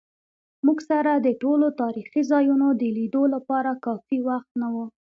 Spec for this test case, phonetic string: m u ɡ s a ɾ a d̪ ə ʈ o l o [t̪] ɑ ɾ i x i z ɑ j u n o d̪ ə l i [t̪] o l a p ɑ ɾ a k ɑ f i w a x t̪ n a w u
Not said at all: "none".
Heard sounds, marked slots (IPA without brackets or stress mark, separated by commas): t̪, d̪